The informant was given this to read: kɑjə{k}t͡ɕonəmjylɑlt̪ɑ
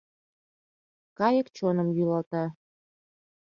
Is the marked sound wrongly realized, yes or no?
no